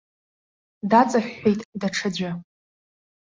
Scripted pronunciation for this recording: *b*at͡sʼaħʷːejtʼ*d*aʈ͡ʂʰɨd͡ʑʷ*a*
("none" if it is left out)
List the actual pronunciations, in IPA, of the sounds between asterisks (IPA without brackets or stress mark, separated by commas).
d, d, a